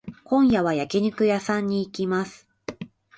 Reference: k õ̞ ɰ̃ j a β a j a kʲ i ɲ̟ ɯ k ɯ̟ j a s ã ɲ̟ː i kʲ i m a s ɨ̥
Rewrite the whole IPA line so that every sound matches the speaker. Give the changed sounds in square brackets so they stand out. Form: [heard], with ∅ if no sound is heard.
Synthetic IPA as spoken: k õ̞ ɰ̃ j a β a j a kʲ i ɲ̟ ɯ k ɯ̟ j a s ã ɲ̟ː [iː] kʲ i m a s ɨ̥